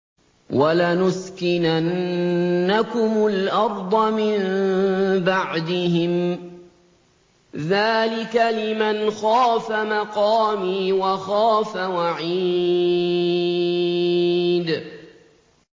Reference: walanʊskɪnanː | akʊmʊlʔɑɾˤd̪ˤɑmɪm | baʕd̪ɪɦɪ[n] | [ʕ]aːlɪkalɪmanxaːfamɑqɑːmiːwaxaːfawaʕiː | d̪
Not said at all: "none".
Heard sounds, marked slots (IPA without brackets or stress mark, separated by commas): m, ð